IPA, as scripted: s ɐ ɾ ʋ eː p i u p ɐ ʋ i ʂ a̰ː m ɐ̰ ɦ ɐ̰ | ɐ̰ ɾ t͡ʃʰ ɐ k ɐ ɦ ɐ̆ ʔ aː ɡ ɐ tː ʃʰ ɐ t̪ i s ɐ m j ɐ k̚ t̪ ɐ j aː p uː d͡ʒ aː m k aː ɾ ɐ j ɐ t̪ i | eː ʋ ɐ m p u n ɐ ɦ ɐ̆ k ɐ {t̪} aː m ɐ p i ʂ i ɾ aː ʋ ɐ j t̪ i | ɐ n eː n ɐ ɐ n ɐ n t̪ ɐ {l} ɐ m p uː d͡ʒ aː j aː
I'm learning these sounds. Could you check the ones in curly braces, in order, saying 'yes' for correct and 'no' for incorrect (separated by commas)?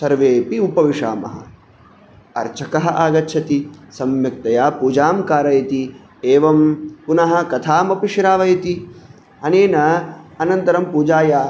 no, no